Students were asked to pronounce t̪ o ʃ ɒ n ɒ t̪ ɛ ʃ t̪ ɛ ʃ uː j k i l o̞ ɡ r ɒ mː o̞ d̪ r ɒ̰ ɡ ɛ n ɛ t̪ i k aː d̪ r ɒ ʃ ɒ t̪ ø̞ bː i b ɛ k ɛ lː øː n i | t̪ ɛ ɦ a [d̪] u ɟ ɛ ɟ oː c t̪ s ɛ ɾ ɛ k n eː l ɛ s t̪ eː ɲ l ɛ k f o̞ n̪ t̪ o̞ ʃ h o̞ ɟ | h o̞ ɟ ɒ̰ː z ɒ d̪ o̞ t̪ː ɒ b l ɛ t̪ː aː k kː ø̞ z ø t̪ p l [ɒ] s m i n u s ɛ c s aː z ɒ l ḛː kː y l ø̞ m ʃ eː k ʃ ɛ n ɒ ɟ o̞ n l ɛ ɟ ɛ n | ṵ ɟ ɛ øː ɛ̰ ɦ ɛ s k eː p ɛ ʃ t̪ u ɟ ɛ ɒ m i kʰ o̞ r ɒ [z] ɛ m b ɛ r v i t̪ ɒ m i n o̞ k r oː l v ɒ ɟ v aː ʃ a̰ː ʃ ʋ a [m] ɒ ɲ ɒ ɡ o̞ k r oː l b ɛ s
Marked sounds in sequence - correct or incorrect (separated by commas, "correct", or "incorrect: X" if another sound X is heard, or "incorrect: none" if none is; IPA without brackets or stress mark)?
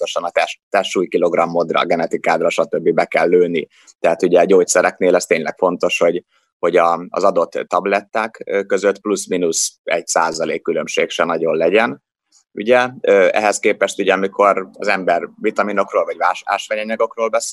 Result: incorrect: t̪, incorrect: u, correct, incorrect: ɲ